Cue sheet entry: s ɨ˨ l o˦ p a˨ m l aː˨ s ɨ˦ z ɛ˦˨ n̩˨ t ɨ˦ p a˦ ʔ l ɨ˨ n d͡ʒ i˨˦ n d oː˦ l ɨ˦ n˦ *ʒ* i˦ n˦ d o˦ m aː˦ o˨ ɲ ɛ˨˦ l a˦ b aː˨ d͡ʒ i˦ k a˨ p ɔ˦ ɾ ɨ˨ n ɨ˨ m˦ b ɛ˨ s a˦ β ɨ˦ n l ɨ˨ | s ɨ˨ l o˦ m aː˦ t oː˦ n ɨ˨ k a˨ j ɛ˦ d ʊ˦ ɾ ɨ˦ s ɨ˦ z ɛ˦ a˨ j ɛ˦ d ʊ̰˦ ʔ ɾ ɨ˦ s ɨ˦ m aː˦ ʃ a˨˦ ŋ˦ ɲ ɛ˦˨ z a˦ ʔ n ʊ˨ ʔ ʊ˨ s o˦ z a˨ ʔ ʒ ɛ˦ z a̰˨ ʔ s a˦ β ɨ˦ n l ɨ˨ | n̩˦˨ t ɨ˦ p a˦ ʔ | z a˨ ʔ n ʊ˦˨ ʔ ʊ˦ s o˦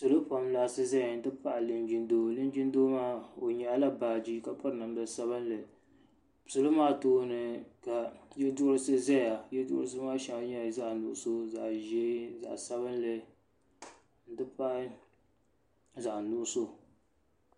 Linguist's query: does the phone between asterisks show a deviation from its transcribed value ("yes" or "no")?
yes